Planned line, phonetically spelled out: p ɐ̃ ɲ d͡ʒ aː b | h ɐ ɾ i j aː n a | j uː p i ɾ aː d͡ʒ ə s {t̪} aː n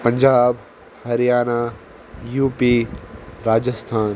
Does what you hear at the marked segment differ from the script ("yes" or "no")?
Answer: yes